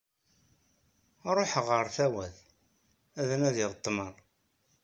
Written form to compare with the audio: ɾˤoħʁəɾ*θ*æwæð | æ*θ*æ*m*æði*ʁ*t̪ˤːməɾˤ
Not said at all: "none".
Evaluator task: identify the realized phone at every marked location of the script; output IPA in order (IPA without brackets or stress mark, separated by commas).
θ, ð, n, ʁ